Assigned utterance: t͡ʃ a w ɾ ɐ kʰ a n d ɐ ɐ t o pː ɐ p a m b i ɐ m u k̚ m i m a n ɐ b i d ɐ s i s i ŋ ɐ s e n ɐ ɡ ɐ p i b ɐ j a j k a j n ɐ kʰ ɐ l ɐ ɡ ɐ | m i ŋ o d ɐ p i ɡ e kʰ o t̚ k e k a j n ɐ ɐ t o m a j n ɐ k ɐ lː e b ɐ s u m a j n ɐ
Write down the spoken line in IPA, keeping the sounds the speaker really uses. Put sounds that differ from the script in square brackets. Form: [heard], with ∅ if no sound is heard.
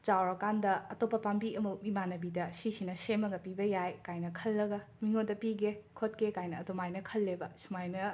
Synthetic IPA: t͡ʃ a w ɾ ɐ [k] a n d ɐ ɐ t o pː ɐ p a m b i ɐ m u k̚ m i m a n ɐ b i d ɐ s i s i [n] ɐ s e [m] ɐ ɡ ɐ p i b ɐ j a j k a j n ɐ kʰ ɐ [lː] ɐ ɡ ɐ | m i ŋ o d ɐ p i ɡ e kʰ o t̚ k e k a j n ɐ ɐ t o m a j n ɐ [kʰ] ɐ lː e b ɐ s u m a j n ɐ

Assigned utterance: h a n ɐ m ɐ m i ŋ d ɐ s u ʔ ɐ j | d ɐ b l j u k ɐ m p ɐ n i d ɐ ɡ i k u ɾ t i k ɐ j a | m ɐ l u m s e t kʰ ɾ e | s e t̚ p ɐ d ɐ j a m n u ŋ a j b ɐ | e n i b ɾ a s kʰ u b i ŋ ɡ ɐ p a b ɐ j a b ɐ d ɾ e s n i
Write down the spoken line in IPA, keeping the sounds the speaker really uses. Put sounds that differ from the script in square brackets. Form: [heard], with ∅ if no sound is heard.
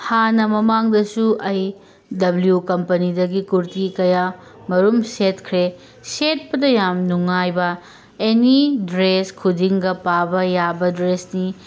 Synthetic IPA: h a n ɐ m ɐ m [a] ŋ d ɐ s u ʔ ɐ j | d ɐ b l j u k ɐ m p ɐ n i d ɐ ɡ i k u ɾ t i k ɐ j a | m ɐ [ɾ] u m s e t kʰ ɾ e | s e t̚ p ɐ d ɐ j a m n u ŋ a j b ɐ | e n i [d] ɾ [e] s kʰ u [d] i ŋ ɡ ɐ p a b ɐ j a b ɐ d ɾ e s n i

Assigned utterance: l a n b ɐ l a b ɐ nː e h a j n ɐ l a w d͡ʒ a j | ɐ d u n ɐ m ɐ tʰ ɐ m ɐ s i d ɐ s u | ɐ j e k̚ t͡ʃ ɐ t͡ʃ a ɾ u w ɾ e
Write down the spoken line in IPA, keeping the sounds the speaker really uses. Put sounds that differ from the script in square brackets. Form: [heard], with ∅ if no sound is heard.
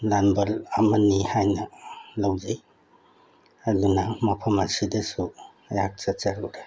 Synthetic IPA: l a n b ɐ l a [m] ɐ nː [i] h a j n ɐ l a w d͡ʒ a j | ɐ d u n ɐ m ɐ [pʰ] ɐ m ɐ s i d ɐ s u | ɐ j [a] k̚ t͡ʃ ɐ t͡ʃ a ɾ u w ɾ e

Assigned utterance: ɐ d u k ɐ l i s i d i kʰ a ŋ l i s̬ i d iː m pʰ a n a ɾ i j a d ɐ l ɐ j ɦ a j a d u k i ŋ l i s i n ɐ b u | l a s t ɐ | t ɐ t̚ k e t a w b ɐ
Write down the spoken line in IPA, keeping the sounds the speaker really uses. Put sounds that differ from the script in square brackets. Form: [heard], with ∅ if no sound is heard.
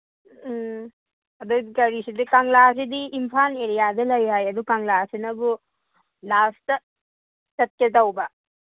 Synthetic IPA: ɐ d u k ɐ [ɾ] i s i d i [k] a ŋ l [a] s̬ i d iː m pʰ a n [e] ɾ i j a d ɐ l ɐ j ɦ a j [ɐ] d u k [a] ŋ l [a] s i n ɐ b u | l a s t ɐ | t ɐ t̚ k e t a w b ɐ

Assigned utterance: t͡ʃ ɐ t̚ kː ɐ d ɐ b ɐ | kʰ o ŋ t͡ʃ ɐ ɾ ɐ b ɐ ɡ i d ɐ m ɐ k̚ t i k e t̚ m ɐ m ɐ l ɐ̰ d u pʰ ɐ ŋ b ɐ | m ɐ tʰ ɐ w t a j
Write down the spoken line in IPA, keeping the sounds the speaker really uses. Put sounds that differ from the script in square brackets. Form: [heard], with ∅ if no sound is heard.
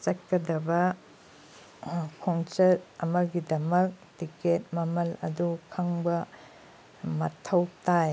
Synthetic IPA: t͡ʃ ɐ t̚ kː ɐ d ɐ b ɐ | kʰ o ŋ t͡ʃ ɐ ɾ ɐ [m] ɐ ɡ i d ɐ m ɐ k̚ t i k e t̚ m ɐ m ɐ l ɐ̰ d u [kʰ] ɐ ŋ b ɐ | m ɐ tʰ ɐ w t a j

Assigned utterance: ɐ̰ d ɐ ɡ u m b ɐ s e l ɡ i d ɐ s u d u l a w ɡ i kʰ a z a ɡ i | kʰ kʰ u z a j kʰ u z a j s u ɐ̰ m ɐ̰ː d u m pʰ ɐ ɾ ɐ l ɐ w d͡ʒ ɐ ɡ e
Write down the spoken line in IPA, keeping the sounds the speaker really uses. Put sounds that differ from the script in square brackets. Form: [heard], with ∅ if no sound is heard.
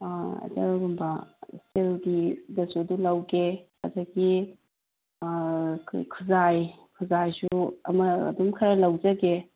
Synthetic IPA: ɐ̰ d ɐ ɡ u m b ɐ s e l ɡ i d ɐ s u d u l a w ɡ [e] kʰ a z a ɡ i | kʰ kʰ u z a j kʰ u z a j s u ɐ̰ m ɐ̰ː d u m [kʰ] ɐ ɾ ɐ l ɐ w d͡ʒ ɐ ɡ e

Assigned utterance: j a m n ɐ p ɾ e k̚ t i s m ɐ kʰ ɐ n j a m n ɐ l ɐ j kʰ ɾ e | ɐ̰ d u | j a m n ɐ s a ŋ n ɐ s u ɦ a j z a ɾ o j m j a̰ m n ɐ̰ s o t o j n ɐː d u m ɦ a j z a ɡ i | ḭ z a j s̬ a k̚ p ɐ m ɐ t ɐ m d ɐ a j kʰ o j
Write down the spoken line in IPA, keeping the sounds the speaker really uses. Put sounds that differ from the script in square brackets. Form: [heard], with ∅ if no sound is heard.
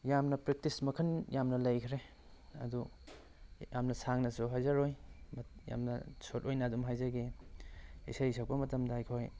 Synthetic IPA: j a m n ɐ p ɾ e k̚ t i s m ɐ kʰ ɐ n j a m n ɐ l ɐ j kʰ ɾ e | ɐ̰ d u | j a m n ɐ s a ŋ n ɐ s u ɦ a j z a ɾ o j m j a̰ m n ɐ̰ s o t o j n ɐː d u m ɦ a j z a ɡ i | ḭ [s] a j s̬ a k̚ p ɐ m ɐ t ɐ m d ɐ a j kʰ o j

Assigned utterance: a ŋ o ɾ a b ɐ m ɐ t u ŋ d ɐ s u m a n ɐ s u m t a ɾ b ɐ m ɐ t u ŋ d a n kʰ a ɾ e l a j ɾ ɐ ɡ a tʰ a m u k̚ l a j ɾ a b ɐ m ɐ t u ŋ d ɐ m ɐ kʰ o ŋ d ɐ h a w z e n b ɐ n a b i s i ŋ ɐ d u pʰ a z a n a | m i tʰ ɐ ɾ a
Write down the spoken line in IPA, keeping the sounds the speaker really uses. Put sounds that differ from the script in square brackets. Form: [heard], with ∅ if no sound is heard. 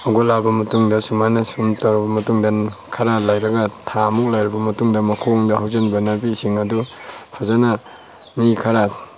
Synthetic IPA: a [ɡ] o [l] a b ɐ m ɐ t u ŋ d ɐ s u m a n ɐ s u m t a ɾ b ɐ m ɐ t u ŋ d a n kʰ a ɾ [a] l a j ɾ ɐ ɡ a tʰ a m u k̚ l a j ɾ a b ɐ m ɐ t u ŋ d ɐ m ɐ kʰ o ŋ d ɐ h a w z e n b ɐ n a b i s i ŋ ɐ d u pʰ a z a n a | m i [kʰ] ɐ ɾ a

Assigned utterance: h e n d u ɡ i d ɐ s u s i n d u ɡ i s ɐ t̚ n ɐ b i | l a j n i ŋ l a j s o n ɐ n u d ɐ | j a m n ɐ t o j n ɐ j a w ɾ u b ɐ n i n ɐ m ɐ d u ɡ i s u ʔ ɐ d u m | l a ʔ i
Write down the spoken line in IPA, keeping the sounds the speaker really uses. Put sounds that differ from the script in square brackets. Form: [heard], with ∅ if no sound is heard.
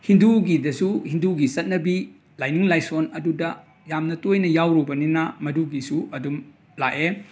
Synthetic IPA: h [i] n d u ɡ i d ɐ s u [h] i n d u ɡ i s ɐ t̚ n ɐ b i | l a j n i ŋ l a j s o n ɐ [d] u d ɐ | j a m n ɐ t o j n ɐ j a w ɾ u b ɐ n i n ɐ m ɐ d u ɡ i s u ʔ ɐ d u m | l a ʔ [e]

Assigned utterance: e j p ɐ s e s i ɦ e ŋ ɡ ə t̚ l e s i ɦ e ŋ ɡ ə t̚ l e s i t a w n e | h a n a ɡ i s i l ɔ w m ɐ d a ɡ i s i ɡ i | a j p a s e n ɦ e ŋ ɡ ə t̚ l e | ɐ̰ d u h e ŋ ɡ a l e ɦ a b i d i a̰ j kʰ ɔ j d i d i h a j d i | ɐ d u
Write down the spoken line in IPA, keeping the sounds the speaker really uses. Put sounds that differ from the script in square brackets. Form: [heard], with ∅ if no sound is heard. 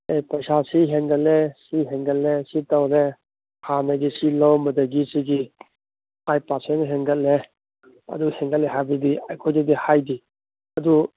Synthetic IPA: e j p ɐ s [a] s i ɦ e ŋ ɡ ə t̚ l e s i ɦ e ŋ ɡ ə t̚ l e s i t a w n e | h a n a ɡ i s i l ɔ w m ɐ d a ɡ i s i ɡ i | a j p a s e n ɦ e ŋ ɡ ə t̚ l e | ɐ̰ d u h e ŋ ɡ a l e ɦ a b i d i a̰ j kʰ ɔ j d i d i h a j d i | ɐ d u

